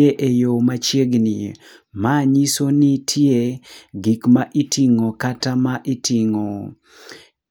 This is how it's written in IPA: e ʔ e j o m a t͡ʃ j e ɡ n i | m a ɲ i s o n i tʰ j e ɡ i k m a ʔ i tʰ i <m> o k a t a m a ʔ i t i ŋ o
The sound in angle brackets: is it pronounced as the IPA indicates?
no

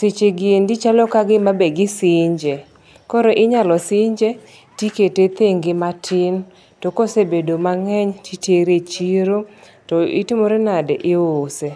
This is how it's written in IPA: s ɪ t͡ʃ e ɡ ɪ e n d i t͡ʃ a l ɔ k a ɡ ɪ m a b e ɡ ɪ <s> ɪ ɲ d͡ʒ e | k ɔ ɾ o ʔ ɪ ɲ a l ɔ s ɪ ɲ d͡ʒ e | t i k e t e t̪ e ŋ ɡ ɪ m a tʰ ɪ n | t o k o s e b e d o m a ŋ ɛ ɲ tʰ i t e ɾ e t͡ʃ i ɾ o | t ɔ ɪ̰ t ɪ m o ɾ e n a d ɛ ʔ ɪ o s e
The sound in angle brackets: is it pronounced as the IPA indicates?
yes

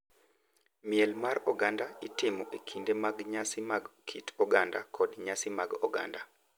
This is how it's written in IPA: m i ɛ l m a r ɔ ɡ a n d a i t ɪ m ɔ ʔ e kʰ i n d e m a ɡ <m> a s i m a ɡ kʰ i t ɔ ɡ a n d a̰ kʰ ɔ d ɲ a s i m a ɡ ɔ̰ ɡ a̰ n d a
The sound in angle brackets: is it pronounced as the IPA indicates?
no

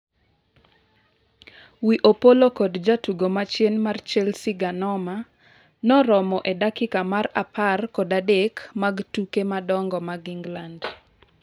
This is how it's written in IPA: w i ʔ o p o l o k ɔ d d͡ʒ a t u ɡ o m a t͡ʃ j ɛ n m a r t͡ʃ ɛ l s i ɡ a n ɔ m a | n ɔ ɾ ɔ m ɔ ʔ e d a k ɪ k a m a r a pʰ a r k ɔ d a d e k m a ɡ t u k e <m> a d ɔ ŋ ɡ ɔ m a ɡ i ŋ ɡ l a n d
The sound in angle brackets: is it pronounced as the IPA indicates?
yes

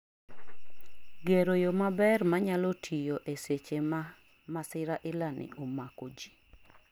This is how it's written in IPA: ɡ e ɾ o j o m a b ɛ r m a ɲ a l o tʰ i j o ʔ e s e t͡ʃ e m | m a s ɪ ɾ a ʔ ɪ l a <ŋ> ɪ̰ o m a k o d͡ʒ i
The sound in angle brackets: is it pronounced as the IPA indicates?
no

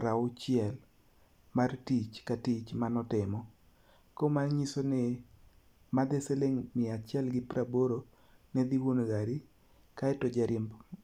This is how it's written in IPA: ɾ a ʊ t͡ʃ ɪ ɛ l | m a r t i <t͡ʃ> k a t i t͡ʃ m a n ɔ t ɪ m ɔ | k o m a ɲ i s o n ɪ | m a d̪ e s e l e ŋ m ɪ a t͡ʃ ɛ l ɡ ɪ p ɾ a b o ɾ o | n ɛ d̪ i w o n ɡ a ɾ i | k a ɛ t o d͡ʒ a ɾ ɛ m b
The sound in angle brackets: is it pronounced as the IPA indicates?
yes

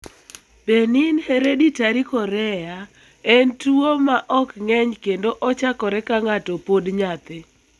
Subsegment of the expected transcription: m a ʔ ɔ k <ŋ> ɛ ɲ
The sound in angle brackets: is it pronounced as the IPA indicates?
yes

